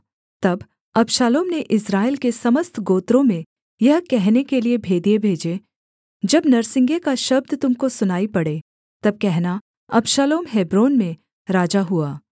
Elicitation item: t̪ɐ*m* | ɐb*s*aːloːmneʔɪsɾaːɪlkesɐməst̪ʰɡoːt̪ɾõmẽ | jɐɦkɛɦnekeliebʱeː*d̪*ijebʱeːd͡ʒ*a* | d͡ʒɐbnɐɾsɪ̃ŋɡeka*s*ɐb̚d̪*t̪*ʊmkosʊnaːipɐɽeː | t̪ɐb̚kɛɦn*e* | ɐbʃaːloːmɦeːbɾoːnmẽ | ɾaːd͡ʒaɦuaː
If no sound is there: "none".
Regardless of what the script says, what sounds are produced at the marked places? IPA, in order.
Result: b, ʃ, d̪, e, ʃ, t̪, a

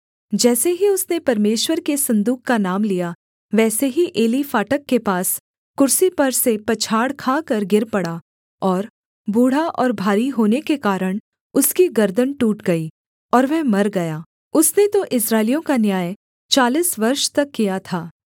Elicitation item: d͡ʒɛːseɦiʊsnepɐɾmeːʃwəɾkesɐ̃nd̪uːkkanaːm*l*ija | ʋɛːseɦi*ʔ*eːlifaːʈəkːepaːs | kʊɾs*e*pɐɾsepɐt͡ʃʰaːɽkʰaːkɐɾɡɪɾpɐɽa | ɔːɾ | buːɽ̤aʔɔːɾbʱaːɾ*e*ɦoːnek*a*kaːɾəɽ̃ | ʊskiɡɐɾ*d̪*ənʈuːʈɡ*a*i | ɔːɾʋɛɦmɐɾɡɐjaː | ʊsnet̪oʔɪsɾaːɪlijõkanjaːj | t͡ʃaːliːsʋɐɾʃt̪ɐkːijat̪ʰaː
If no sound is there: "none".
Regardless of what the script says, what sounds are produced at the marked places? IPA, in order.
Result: l, ʔ, i, i, e, d̪, ɐ

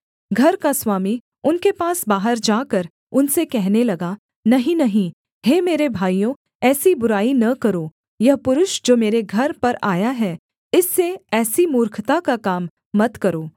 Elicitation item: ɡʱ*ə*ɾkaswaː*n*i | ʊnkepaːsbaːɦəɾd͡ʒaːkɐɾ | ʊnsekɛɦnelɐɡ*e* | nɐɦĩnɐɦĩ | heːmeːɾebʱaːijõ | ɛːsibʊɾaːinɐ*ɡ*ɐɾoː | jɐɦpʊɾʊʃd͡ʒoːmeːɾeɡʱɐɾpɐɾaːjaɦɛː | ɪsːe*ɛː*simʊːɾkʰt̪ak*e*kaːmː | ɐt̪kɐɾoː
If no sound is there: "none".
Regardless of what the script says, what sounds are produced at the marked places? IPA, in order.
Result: ɐ, m, a, k, ɛː, a

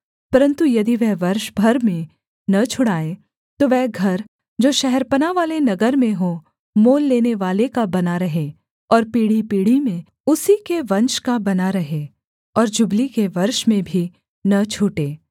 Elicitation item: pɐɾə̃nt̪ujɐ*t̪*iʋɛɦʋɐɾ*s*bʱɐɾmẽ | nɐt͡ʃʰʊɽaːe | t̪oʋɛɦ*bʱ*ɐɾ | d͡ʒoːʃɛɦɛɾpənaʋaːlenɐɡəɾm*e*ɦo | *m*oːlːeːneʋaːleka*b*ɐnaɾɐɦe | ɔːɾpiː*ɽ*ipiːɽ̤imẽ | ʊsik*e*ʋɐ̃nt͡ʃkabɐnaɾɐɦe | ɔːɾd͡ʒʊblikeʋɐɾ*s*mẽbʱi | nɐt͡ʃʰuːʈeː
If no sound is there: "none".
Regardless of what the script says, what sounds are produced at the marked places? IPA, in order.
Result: d̪, ʃ, ɡʱ, ẽ, m, b, ɽ, e, ʃ

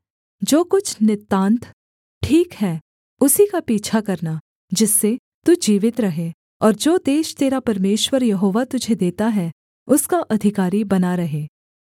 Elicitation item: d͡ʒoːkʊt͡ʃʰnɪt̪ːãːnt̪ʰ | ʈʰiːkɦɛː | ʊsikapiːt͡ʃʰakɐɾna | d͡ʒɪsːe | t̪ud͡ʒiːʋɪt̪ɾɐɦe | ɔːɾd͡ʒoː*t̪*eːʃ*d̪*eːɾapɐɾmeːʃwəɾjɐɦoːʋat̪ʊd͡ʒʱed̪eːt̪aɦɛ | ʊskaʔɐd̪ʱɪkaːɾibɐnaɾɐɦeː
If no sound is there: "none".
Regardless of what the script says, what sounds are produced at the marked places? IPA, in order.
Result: d̪, t̪

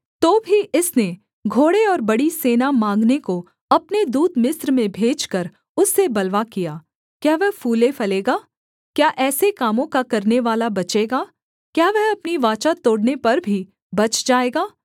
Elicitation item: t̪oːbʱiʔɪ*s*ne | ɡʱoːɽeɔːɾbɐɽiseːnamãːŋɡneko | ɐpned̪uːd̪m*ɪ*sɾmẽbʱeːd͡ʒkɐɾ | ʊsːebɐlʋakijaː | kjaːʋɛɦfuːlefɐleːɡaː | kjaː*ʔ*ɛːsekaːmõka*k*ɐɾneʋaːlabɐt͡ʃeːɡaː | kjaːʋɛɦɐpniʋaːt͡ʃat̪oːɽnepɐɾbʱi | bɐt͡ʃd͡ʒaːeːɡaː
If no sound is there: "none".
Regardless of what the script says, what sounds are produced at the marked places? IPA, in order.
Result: s, ɪ, ʔ, k

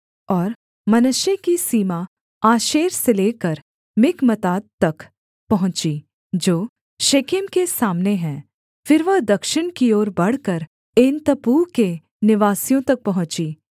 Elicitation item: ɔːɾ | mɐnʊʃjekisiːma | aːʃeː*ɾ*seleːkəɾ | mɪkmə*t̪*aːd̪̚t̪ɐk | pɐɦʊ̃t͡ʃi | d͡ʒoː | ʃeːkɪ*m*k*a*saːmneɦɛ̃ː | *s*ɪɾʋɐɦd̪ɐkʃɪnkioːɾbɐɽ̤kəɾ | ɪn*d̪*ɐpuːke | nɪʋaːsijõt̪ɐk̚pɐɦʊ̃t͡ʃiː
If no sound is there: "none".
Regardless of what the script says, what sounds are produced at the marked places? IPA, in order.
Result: ɾ, t̪, m, e, f, t̪

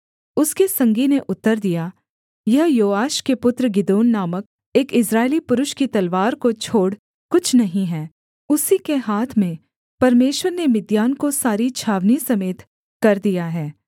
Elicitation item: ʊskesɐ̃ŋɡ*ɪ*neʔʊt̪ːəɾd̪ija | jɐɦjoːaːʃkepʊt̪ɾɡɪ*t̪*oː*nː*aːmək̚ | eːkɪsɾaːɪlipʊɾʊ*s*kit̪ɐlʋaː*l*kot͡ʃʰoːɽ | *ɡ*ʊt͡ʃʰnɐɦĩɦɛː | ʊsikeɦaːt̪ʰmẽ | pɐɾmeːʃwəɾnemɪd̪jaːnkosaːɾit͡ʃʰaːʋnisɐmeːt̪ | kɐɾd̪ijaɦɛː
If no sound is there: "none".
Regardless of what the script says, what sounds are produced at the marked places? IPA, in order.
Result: i, d̪, nː, ʃ, ɾ, k

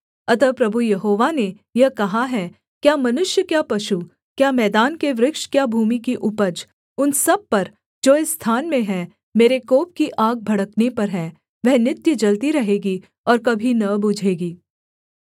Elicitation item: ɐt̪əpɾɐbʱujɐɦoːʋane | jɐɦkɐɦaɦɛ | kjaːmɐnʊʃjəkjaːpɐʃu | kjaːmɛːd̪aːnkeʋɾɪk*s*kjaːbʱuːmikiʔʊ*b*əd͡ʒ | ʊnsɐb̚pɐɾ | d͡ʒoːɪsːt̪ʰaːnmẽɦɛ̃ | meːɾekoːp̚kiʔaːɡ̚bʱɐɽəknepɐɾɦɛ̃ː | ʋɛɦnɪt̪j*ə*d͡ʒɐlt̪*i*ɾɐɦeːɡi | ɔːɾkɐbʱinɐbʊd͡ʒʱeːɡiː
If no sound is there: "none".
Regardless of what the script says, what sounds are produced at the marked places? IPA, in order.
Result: ʃ, p, ə, i

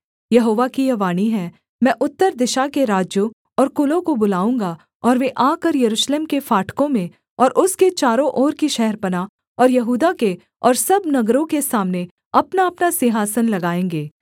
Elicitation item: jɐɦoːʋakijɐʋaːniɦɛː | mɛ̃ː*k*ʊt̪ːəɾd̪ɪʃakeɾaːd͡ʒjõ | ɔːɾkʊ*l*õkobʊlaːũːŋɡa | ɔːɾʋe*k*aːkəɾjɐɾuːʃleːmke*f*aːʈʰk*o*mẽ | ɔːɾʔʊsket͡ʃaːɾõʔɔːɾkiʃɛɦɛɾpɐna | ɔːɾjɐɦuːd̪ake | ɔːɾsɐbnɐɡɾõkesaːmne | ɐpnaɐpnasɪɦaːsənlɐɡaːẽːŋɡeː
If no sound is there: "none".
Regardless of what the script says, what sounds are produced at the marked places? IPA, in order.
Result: ʔ, l, ʔ, f, õ

